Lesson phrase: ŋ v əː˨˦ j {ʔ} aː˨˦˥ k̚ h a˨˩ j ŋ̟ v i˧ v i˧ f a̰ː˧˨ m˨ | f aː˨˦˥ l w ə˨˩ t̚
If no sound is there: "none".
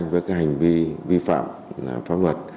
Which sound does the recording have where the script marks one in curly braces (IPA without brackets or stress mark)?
k